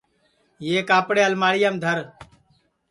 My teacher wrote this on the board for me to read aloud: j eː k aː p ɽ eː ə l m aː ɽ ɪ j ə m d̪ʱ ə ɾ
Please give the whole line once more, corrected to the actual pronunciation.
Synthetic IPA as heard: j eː k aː p ɽ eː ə l m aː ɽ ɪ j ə m d̪ʱ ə ɾ